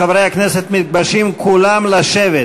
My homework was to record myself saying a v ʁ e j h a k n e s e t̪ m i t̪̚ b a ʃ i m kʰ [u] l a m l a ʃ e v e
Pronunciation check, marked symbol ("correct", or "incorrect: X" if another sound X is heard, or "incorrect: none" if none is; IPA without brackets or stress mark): correct